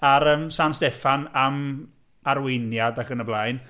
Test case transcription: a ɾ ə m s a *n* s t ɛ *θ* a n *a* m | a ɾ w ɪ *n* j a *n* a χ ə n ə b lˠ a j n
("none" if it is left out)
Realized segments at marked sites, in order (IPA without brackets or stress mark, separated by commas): n, f, a, n, d